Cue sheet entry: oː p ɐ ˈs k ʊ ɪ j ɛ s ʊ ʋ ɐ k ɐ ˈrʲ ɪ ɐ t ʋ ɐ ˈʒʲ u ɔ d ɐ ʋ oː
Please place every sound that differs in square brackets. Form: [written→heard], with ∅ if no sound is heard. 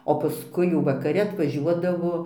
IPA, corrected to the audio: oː p ɐ ˈs k ʊ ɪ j ɛ [s→∅] ʊ ʋ ɐ k ɐ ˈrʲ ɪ ɐ t ʋ ɐ ˈʒʲ u ɔ d ɐ ʋ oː